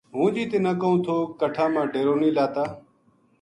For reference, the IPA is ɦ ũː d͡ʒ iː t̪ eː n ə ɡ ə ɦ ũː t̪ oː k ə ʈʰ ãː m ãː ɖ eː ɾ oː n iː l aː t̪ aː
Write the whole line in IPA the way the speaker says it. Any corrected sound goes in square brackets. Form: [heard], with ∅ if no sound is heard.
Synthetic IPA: ɦ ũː d͡ʒ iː t̪ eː n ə [k] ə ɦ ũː [t̪ʰ] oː k ə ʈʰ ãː m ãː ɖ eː ɾ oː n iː l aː t̪ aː